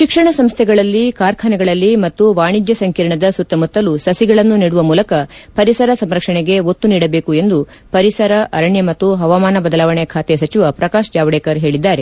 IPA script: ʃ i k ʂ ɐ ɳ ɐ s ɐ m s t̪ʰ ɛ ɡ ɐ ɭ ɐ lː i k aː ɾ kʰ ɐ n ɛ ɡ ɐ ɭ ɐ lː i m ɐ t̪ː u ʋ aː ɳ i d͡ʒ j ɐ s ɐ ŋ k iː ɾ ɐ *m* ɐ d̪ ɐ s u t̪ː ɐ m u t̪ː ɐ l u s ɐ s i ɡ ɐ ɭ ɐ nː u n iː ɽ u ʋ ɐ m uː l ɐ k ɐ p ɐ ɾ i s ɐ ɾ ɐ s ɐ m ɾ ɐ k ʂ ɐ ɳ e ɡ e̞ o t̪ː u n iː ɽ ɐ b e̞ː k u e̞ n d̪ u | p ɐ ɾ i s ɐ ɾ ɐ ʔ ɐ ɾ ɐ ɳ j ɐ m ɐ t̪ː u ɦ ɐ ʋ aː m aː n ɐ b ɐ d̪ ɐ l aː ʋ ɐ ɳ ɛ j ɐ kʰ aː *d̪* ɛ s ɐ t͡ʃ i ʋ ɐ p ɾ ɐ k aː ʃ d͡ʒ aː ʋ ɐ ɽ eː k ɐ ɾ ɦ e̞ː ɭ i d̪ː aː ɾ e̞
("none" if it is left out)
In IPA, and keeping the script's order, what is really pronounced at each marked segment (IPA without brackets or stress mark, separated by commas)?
ɳ, t̪